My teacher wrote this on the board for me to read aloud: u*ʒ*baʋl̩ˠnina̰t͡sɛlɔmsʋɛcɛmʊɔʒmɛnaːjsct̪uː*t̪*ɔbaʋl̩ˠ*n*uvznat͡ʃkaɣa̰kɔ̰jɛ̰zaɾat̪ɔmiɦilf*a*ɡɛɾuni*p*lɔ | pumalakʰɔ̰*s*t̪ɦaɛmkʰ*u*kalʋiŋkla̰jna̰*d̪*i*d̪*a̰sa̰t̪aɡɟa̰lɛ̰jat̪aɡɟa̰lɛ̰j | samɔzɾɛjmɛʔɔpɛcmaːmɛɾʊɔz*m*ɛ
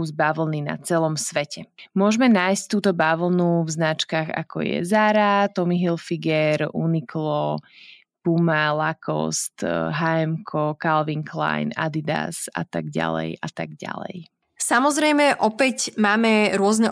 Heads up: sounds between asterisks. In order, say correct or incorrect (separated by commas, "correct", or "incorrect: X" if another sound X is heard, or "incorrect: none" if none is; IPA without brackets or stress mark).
incorrect: z, correct, correct, incorrect: i, incorrect: k, correct, incorrect: ɔ, correct, correct, incorrect: n